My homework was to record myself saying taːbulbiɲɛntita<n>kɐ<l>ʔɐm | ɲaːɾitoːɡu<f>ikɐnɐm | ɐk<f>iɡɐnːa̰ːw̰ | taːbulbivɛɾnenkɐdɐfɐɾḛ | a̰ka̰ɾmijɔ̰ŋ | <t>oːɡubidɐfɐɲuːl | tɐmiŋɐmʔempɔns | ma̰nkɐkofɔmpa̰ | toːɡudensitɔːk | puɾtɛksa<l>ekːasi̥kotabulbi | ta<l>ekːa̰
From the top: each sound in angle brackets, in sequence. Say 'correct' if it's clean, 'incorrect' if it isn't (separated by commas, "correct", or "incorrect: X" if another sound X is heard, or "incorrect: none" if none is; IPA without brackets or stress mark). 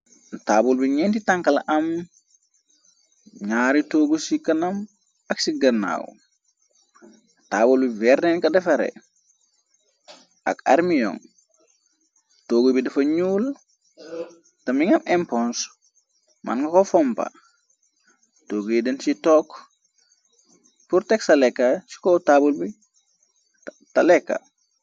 incorrect: ŋ, correct, incorrect: s, incorrect: s, correct, correct, correct